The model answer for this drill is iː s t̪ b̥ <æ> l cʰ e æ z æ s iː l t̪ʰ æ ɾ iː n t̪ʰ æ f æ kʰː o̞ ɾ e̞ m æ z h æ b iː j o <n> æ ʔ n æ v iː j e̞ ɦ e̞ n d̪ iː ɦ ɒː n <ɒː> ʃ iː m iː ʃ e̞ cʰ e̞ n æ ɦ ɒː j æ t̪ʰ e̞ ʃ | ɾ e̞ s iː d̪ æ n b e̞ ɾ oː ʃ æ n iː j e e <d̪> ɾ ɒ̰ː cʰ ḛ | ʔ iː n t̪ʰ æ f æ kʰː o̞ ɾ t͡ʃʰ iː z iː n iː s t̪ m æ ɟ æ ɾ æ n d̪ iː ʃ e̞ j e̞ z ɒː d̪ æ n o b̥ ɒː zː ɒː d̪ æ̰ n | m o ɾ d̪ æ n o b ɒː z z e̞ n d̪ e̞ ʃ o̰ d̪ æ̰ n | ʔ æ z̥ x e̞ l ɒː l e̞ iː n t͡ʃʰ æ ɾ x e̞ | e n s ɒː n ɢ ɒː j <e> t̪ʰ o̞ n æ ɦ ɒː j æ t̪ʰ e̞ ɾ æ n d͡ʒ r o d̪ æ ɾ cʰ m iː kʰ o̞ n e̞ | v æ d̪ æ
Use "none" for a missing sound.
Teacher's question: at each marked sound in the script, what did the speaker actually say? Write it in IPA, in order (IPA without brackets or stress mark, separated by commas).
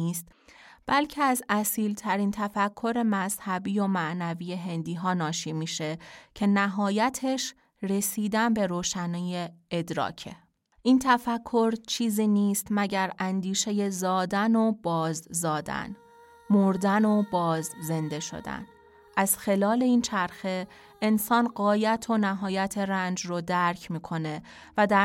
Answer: æ, m, ɒː, d̪, æ